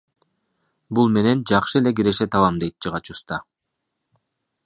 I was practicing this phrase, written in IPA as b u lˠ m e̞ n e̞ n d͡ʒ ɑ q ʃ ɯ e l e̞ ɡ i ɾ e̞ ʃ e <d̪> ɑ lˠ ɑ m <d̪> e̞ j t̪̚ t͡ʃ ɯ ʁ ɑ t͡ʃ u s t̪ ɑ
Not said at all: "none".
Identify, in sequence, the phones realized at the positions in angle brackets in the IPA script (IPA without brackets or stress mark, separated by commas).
t̪, d̪